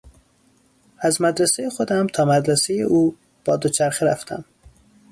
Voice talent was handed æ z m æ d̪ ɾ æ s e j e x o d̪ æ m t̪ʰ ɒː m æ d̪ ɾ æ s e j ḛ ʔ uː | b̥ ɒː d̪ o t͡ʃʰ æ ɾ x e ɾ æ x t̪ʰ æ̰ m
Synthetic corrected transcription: æ z m æ d̪ ɾ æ s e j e x o d̪ æ m t̪ʰ ɒː m æ d̪ ɾ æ s e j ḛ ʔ uː | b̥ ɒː d̪ o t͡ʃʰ æ ɾ x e ɾ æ f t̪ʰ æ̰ m